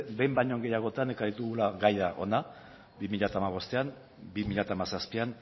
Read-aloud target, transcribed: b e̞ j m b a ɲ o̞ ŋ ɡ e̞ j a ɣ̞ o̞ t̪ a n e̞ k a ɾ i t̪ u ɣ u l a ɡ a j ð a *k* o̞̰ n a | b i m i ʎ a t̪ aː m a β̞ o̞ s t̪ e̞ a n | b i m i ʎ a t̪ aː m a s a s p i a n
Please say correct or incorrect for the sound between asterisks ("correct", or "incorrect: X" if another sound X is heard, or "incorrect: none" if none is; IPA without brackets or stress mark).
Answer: incorrect: ʔ